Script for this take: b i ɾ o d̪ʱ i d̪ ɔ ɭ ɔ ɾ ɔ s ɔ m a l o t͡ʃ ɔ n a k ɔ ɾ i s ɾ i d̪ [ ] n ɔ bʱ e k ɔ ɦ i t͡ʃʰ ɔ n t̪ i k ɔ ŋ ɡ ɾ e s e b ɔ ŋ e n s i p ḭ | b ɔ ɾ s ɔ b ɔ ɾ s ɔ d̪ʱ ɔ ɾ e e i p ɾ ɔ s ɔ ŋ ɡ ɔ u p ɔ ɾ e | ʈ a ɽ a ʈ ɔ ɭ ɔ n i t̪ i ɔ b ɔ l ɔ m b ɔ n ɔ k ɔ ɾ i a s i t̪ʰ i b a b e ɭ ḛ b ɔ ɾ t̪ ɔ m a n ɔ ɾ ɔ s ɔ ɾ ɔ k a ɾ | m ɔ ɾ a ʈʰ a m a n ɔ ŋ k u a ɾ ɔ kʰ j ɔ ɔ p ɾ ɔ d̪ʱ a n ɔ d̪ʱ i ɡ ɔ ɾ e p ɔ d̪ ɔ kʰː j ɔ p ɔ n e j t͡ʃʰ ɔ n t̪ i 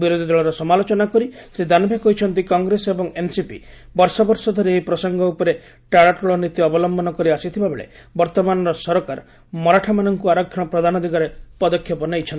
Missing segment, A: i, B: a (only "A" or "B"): B